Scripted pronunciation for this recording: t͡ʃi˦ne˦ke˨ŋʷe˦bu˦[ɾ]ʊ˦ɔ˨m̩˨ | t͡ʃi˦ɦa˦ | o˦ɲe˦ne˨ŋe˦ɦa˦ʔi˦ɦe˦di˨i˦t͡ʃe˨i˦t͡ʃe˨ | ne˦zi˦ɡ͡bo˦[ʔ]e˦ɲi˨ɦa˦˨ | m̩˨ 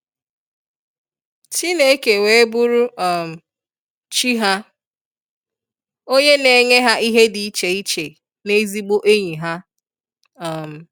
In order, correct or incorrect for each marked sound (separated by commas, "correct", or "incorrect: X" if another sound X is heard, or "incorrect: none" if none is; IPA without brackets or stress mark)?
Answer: correct, correct